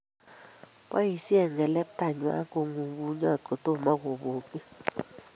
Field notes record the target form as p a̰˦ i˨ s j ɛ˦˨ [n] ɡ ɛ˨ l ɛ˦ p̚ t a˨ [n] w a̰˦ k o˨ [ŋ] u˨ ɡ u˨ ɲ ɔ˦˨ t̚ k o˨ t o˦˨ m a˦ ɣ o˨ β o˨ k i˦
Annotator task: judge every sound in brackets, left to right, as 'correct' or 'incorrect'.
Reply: incorrect: ŋ, incorrect: ɲ, correct

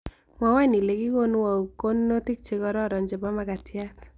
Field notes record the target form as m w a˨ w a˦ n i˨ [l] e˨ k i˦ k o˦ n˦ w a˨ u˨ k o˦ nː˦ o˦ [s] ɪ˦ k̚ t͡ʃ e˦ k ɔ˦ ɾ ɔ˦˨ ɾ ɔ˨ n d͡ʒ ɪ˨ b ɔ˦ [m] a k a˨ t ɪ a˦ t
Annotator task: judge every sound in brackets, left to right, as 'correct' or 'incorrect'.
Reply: correct, incorrect: t, correct

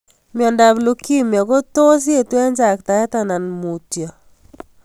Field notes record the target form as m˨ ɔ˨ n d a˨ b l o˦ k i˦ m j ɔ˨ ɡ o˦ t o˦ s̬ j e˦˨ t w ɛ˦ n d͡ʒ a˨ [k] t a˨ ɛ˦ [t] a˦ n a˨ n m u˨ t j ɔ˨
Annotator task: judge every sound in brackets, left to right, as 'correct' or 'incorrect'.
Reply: correct, correct

